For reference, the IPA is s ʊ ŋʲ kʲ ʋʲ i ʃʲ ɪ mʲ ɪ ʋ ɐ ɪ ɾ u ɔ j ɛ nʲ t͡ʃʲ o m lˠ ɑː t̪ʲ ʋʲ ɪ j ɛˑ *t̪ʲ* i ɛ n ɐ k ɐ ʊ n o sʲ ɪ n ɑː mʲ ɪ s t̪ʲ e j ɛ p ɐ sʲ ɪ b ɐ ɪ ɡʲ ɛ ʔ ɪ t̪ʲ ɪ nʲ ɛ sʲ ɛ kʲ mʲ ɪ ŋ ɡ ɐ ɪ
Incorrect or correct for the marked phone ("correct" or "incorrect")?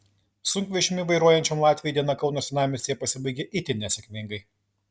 incorrect